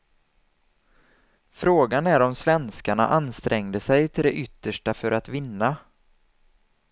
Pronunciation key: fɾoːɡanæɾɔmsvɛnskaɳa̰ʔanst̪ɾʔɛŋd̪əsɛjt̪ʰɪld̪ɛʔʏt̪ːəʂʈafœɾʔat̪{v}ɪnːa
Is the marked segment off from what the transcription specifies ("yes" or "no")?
no